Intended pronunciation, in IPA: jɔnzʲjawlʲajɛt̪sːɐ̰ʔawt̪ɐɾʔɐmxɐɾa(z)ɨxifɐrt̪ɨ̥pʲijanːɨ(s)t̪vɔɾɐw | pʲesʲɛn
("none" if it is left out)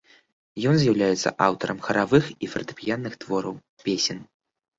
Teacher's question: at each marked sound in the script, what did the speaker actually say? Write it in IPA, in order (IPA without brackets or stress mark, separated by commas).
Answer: v, x